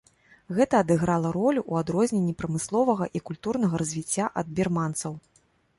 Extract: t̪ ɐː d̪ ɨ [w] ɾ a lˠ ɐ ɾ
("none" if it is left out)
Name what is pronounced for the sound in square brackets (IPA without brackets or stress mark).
ɣ